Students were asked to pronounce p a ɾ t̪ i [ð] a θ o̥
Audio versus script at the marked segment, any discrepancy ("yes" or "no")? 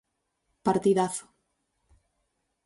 no